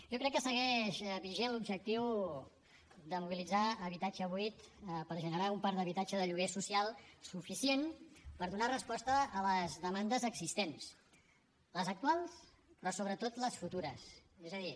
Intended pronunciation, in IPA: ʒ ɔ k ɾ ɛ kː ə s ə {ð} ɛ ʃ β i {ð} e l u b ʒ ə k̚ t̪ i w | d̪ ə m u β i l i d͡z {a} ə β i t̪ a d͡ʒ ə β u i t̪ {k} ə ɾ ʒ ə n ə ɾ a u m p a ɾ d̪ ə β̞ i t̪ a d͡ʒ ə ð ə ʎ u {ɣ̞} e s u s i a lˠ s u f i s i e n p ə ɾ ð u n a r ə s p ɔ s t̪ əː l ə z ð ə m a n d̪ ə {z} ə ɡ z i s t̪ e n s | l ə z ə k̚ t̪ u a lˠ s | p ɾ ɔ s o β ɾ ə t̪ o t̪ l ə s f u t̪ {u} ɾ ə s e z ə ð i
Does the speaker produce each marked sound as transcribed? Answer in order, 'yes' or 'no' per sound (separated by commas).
no, no, yes, no, yes, yes, yes